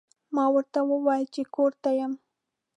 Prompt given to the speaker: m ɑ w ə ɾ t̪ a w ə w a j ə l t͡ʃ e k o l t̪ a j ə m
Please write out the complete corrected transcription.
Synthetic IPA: m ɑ w ə ɾ t̪ a w ə w ɑ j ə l t͡ʃ e k o ɾ t̪ a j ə m